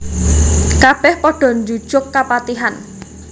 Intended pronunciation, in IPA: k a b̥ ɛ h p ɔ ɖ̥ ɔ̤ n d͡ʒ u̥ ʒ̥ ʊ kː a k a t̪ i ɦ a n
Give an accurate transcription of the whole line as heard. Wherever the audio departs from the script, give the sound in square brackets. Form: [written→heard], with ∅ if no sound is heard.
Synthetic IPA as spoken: k a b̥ ɛ h p ɔ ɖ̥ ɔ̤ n d͡ʒ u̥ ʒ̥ ʊ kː a [k→p] a t̪ i ɦ a n